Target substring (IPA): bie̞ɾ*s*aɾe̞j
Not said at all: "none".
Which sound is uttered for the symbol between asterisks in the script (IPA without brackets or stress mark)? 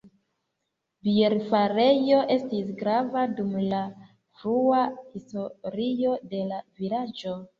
f